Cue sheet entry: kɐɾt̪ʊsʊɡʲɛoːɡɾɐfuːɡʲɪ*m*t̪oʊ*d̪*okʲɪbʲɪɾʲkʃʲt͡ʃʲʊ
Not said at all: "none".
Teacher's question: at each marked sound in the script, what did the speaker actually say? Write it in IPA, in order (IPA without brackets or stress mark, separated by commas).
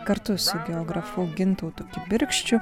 n, t̪